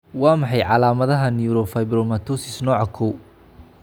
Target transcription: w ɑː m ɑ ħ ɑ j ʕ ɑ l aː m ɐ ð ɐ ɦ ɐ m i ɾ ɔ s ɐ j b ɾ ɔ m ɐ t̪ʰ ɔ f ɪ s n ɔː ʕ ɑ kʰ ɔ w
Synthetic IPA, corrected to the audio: w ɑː m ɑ ħ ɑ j ʕ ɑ l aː m ɐ ð ɐ ɦ ɐ n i ɾ ɔ f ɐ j b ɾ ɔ m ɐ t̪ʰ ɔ s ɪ s n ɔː ʕ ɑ kʰ ɔ w